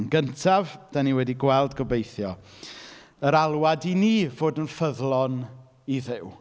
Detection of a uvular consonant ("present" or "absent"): absent